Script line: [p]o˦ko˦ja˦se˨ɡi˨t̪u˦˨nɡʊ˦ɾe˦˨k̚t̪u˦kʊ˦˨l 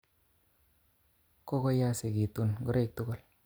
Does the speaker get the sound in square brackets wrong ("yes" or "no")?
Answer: yes